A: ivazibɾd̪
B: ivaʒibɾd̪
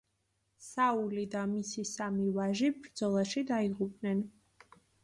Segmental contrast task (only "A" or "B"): B